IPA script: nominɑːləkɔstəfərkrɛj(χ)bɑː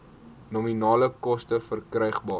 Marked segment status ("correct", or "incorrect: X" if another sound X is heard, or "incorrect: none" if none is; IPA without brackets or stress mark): correct